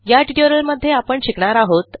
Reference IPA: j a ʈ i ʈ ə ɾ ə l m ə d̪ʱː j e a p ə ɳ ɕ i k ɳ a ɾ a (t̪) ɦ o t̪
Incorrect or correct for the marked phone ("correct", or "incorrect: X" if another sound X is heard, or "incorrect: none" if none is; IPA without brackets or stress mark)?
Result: incorrect: none